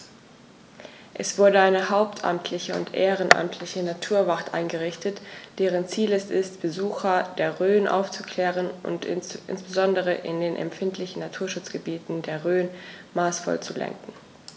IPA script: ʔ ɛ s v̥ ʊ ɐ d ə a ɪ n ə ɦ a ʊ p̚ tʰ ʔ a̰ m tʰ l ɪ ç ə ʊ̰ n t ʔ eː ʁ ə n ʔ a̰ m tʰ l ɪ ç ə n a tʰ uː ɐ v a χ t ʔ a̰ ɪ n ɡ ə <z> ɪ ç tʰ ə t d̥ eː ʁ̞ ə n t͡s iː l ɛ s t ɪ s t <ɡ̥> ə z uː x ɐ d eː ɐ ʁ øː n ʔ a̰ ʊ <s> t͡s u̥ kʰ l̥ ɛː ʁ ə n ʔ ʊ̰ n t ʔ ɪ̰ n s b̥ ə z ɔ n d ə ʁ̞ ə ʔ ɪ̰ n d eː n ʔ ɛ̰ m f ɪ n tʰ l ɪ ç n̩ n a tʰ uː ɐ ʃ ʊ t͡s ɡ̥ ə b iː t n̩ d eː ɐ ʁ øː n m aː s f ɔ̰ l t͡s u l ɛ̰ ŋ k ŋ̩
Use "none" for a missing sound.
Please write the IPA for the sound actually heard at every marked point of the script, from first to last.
ʁ, b̥, f

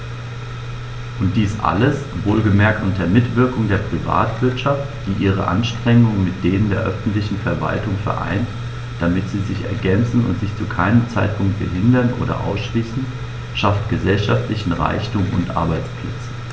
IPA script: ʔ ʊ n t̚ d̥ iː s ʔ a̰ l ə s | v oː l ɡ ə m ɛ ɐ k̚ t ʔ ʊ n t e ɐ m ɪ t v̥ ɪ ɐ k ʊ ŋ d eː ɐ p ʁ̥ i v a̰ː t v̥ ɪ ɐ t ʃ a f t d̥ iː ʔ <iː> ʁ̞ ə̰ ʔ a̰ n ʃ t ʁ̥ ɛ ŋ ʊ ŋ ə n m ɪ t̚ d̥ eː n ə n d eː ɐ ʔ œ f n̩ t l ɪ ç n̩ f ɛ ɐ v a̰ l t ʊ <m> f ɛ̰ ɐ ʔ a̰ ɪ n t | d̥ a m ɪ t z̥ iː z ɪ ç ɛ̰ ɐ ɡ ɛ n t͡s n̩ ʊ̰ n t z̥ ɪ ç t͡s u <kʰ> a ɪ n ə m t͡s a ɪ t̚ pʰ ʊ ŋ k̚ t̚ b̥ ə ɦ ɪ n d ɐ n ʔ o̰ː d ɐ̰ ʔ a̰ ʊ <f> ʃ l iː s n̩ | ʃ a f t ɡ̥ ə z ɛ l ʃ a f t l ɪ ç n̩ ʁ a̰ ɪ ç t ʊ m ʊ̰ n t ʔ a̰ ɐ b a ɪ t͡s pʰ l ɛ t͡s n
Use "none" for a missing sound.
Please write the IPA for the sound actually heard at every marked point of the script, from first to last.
iː, ŋ, kʰ, s

